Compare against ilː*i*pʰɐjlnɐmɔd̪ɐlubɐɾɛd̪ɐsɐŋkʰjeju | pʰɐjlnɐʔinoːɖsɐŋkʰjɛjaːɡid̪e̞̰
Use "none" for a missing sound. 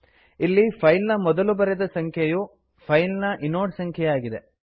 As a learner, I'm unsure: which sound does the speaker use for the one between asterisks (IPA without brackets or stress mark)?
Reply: i